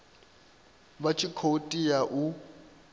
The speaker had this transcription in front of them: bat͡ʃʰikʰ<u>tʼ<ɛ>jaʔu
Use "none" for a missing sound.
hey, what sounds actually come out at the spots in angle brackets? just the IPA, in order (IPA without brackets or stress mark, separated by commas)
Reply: o, i